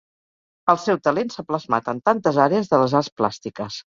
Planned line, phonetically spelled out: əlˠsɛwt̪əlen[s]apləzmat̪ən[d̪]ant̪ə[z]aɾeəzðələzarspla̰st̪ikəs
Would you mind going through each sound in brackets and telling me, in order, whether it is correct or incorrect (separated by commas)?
correct, incorrect, correct